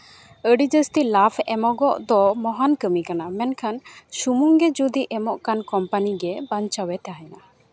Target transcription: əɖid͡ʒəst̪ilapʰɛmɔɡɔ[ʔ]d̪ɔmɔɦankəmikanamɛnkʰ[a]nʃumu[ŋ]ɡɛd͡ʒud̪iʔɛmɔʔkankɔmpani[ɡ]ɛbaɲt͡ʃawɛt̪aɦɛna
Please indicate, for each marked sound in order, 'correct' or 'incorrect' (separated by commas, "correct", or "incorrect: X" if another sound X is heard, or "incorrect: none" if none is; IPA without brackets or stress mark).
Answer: correct, correct, correct, correct